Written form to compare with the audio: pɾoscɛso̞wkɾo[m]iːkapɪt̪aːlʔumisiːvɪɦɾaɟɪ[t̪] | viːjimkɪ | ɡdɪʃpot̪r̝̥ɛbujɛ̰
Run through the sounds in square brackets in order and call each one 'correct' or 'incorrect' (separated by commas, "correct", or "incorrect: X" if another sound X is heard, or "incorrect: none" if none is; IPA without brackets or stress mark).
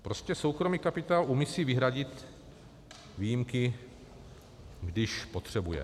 correct, correct